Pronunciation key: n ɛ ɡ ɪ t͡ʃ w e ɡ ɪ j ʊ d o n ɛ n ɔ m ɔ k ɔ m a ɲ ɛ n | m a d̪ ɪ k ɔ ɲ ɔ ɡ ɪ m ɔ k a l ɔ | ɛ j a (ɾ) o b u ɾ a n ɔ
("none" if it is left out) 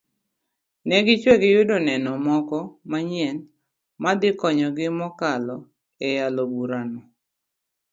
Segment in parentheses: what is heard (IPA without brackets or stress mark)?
l